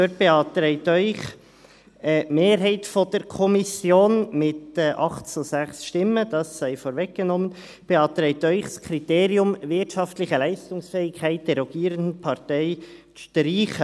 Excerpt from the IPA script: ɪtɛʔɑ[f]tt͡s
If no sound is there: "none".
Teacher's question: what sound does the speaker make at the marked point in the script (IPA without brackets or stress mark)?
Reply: χ